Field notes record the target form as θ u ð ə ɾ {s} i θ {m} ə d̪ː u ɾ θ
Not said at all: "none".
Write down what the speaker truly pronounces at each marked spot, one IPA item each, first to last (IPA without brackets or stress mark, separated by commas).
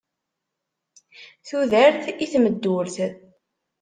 θ, m